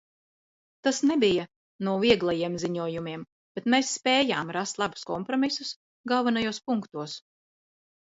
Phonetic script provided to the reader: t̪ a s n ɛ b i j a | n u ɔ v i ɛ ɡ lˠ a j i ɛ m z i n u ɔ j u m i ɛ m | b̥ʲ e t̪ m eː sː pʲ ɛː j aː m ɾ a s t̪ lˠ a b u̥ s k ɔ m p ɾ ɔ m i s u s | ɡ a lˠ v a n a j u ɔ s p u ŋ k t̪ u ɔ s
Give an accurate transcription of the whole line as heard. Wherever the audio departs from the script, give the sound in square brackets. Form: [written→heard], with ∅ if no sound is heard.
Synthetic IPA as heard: t̪ a s n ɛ b i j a | n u ɔ v i ɛ ɡ lˠ a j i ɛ m z i [n→ɲ] u ɔ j u m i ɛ m | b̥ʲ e t̪ m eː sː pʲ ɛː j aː m ɾ a s t̪ lˠ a b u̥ s k ɔ m p ɾ ɔ m i s u s | ɡ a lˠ v a n a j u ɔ s p u ŋ k t̪ u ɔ s